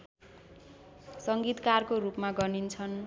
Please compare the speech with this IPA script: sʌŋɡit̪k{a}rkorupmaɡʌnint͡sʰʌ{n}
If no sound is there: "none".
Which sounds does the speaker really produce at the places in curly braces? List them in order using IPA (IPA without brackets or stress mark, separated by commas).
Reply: a, n